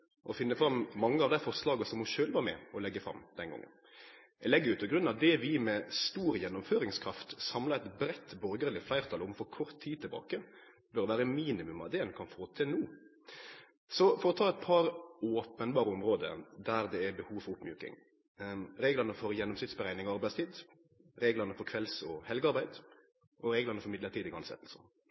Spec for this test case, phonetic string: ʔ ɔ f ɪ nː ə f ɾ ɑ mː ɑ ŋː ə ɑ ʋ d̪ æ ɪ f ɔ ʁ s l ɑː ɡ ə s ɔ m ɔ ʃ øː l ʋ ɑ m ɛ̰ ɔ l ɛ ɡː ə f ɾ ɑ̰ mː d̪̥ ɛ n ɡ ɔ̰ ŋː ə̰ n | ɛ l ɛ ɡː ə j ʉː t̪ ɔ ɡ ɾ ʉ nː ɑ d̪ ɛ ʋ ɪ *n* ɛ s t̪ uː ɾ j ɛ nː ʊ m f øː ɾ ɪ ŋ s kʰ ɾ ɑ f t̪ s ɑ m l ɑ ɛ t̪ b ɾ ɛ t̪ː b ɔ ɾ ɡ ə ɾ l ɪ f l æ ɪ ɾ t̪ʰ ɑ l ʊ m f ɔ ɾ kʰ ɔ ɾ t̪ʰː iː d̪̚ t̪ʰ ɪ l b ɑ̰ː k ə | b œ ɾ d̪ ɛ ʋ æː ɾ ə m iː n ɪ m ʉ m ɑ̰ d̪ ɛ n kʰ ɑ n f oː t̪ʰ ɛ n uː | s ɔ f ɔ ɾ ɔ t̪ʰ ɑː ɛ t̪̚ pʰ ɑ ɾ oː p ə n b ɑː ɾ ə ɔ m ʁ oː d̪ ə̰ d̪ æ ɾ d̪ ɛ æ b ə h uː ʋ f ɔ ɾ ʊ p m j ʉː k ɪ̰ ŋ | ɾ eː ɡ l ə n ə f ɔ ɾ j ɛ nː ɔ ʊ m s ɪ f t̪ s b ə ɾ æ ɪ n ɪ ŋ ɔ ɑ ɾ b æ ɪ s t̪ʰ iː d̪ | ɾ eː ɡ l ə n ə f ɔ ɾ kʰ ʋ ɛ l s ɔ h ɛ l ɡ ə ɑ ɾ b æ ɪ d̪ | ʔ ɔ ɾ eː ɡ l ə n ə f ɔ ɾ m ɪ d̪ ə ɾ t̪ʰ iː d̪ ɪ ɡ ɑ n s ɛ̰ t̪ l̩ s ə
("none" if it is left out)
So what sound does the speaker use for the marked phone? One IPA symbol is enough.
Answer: m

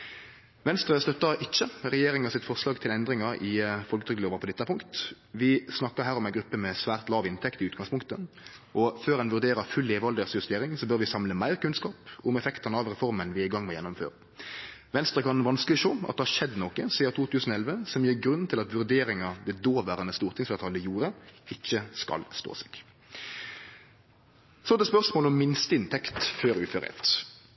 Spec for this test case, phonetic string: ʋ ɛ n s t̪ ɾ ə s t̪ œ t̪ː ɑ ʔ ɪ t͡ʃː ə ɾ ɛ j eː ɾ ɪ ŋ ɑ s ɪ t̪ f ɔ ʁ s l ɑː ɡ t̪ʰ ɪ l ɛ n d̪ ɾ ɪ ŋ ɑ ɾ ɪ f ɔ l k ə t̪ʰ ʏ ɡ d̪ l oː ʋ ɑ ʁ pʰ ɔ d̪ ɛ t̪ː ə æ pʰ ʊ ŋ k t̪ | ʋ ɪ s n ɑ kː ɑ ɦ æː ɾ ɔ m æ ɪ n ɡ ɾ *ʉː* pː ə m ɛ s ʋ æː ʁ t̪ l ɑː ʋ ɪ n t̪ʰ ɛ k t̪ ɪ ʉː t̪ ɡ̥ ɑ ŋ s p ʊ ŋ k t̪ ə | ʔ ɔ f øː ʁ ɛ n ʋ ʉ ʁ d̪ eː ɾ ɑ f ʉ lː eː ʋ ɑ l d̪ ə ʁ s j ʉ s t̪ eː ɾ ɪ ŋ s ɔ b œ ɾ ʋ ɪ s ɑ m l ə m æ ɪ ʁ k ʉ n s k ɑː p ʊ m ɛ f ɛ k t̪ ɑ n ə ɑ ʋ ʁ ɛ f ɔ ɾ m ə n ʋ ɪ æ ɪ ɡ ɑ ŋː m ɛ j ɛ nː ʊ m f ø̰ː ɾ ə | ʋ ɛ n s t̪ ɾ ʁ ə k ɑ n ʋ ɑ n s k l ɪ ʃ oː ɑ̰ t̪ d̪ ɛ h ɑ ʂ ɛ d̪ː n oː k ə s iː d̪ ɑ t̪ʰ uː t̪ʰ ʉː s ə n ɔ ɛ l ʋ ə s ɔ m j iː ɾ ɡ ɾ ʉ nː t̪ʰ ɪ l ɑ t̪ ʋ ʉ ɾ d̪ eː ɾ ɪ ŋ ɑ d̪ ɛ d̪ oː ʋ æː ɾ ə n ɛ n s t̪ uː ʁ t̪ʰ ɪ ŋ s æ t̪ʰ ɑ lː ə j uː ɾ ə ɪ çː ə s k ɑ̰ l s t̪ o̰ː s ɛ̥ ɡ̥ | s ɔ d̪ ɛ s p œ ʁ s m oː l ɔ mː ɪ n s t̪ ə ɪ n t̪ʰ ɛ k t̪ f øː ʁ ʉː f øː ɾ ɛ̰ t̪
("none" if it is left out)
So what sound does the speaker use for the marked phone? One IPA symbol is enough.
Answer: ʉ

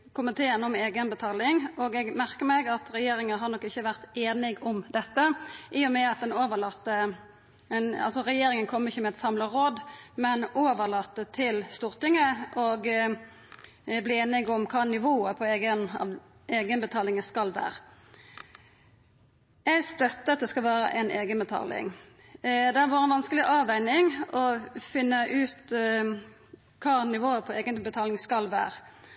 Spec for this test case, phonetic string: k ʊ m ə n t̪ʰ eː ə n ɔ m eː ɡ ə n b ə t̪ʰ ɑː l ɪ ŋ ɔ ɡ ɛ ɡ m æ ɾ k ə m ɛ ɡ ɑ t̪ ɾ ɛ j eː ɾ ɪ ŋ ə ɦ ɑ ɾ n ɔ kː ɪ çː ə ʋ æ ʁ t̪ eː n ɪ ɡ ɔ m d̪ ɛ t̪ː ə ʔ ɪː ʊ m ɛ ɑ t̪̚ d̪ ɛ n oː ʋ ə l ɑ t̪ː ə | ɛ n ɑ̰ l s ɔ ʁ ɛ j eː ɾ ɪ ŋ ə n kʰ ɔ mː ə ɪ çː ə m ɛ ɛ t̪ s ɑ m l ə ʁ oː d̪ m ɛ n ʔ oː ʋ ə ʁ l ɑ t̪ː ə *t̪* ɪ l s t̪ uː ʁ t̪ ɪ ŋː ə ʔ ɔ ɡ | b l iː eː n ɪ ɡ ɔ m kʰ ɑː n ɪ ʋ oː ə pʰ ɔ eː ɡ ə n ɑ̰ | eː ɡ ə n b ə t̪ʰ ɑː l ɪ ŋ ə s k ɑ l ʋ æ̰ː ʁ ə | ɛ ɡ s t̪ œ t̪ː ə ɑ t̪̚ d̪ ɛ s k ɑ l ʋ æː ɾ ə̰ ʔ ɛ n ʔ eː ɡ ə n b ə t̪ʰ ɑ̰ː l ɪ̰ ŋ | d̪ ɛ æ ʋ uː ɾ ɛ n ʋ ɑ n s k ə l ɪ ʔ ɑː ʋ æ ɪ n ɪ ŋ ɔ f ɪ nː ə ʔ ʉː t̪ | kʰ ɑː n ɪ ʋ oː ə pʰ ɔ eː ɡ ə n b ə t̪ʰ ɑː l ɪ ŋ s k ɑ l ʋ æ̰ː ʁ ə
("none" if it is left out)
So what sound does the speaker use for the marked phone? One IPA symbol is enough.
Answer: t̪ʰ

